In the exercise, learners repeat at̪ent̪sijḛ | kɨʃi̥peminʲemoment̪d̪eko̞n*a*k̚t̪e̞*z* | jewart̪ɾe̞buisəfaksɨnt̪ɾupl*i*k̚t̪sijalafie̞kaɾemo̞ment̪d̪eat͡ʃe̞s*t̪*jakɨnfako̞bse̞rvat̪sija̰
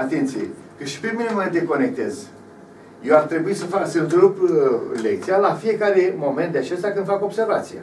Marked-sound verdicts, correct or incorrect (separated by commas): incorrect, correct, incorrect, correct